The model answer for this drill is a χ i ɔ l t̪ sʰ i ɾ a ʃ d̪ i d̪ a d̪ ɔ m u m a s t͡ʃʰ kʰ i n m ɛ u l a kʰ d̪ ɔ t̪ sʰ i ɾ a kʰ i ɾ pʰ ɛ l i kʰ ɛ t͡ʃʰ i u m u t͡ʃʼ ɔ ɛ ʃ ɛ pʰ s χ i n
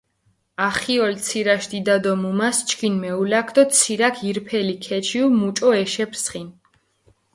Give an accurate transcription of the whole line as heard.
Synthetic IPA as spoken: a χ i ɔ l t̪ sʰ i ɾ a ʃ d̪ i d̪ a d̪ ɔ m u m a s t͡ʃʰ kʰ i n m ɛ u l a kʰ d̪ ɔ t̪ sʰ i ɾ a kʰ i ɾ pʰ ɛ l i kʰ ɛ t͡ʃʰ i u m u t͡ʃʼ ɔ ɛ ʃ ɛ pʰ s χ i n